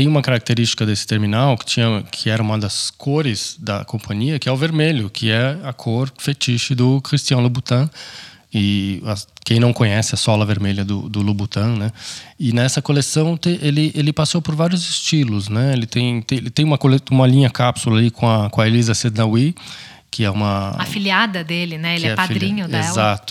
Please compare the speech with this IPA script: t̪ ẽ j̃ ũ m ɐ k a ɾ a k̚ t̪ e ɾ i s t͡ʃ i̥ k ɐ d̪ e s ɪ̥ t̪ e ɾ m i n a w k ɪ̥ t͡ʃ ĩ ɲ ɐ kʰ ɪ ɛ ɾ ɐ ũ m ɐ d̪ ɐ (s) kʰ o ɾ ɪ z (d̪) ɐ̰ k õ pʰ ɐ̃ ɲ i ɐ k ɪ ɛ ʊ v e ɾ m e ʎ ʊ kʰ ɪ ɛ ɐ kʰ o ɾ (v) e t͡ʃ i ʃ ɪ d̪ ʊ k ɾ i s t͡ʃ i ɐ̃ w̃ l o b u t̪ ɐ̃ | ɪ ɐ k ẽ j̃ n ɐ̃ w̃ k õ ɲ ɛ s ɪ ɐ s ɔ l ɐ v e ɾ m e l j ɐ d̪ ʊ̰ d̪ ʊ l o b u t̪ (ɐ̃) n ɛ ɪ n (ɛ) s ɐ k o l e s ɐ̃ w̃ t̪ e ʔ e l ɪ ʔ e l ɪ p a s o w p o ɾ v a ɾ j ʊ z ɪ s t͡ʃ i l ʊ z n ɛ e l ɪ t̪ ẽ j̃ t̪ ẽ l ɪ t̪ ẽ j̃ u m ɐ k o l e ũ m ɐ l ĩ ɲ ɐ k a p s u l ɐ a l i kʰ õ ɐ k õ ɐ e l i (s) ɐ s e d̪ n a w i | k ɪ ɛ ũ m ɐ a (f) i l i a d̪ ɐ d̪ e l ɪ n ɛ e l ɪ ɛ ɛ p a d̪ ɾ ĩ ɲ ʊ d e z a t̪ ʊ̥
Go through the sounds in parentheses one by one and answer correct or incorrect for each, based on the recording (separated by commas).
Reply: correct, correct, incorrect, correct, correct, incorrect, correct